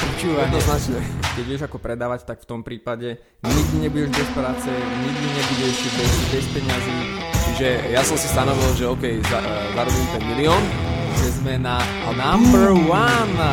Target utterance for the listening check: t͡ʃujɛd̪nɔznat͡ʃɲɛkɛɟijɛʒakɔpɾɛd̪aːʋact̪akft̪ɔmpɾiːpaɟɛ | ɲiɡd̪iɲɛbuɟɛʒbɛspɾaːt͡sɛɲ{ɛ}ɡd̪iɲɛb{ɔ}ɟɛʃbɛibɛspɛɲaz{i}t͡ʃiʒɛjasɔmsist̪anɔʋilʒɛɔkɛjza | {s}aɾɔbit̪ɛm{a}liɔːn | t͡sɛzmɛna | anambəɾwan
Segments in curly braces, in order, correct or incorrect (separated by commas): incorrect, incorrect, incorrect, incorrect, incorrect